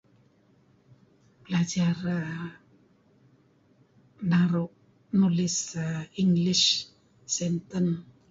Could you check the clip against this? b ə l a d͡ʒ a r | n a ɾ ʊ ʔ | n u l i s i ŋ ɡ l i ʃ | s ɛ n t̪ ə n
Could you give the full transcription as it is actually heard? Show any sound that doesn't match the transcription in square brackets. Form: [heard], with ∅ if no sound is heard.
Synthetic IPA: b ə l a d͡ʒ a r | n a ɾ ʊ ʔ | n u l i s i ŋ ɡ l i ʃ | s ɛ n t̪ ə n